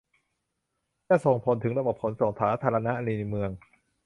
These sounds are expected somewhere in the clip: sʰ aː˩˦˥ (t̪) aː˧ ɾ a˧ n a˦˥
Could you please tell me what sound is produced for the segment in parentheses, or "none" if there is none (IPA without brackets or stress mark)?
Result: t̪ʰ